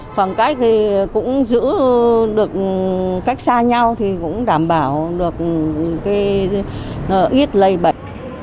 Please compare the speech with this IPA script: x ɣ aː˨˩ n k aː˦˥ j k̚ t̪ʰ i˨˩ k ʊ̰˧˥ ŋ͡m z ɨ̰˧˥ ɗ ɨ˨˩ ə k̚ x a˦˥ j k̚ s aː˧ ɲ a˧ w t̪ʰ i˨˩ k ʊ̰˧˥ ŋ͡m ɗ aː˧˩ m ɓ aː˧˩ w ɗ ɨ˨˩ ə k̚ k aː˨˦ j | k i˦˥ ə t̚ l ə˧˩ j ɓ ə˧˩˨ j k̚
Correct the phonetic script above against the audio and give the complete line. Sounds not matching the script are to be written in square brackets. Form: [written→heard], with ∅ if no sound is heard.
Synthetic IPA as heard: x [ɣ→w] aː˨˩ n k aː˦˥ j k̚ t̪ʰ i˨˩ k ʊ̰˧˥ ŋ͡m z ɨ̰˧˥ ɗ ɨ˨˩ ə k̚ [x→k] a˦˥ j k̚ s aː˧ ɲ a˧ w t̪ʰ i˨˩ k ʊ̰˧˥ ŋ͡m ɗ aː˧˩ m ɓ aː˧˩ w ɗ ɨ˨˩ ə k̚ k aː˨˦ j | [k→ʔ] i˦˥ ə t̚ l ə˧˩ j ɓ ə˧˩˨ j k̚